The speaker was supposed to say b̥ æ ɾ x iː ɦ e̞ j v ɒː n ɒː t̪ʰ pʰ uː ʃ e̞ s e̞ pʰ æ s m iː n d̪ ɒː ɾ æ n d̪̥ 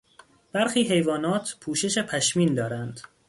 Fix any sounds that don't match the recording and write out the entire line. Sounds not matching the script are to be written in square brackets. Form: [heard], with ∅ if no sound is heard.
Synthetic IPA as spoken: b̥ æ ɾ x iː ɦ e̞ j v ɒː n ɒː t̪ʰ pʰ uː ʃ e̞ [ʃ] e̞ pʰ æ [ʃ] m iː n d̪ ɒː ɾ æ n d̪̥